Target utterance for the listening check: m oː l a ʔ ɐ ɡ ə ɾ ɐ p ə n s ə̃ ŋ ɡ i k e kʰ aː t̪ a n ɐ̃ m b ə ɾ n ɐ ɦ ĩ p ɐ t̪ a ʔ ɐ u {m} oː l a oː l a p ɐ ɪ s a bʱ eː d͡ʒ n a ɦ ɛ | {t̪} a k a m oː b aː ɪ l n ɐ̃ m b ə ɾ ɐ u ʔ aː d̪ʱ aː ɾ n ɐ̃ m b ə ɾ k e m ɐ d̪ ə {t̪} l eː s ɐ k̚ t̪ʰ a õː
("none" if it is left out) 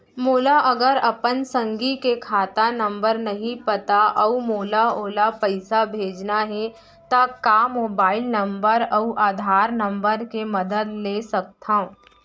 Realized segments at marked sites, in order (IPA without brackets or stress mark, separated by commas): m, t̪, d̪